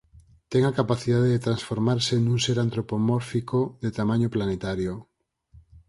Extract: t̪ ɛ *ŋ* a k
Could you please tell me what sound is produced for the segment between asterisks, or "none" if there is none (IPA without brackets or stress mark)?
ŋ